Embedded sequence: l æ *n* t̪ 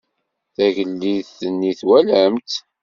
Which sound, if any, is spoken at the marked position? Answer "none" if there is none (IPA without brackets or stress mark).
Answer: m